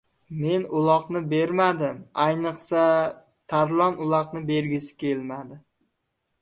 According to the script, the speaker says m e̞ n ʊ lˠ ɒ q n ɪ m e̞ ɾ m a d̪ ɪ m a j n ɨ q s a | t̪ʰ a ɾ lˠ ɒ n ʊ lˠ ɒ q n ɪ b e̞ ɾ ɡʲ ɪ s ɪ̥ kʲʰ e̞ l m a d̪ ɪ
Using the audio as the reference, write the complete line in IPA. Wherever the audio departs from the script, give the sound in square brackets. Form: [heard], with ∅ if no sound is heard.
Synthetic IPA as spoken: m e̞ n ʊ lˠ ɒ q n ɪ [b] e̞ ɾ m a d̪ ɪ m a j n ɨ q s a | t̪ʰ a ɾ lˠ ɒ n ʊ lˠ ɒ q n ɪ b e̞ ɾ ɡʲ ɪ s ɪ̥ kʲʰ e̞ l m a d̪ ɪ